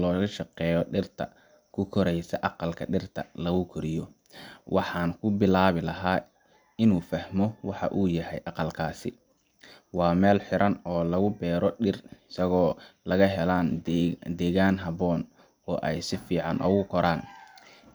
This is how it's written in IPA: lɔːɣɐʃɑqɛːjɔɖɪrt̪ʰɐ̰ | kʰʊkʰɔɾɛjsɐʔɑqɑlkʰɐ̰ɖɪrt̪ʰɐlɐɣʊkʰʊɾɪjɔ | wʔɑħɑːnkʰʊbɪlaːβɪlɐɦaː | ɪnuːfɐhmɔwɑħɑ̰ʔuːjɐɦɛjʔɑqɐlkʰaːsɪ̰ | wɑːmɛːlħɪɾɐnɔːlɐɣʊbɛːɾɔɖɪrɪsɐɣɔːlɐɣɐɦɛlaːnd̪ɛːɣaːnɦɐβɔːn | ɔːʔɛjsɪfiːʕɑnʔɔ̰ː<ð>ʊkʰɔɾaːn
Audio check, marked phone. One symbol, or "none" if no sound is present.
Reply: ɣ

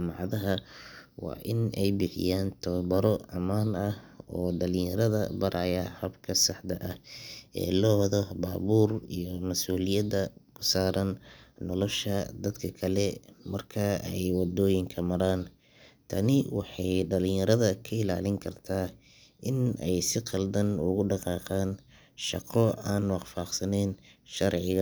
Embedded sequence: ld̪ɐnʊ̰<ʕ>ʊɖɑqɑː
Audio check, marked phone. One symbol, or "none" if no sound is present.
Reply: ɣ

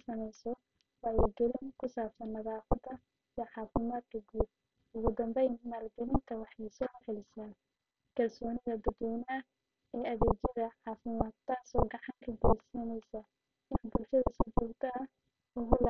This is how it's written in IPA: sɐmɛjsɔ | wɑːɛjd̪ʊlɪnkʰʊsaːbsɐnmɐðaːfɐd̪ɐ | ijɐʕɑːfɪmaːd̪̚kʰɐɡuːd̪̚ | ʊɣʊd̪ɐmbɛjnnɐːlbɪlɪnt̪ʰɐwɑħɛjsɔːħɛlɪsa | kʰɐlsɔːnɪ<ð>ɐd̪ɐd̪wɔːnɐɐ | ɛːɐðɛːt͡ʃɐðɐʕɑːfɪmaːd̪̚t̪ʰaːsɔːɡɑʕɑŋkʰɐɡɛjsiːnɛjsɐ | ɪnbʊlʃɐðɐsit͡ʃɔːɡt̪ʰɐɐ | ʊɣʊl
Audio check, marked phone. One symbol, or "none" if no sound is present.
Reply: ɣ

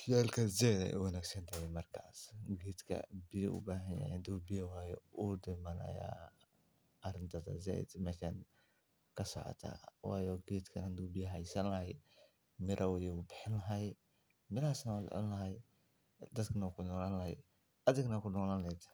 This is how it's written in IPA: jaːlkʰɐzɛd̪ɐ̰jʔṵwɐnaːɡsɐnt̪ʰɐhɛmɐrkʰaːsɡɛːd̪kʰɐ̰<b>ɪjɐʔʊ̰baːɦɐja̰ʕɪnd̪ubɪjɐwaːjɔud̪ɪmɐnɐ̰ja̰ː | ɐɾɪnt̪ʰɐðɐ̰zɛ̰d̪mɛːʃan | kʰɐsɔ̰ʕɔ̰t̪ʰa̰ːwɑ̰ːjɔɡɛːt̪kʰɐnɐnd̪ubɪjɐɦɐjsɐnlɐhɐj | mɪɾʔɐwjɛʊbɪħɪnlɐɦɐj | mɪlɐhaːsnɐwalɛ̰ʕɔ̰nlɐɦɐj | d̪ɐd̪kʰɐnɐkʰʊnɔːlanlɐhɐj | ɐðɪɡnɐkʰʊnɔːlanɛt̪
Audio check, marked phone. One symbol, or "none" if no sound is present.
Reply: b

